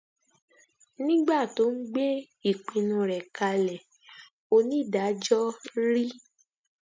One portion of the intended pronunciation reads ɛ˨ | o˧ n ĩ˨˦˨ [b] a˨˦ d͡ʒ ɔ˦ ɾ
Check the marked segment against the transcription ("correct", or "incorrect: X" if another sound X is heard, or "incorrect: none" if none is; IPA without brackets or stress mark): incorrect: d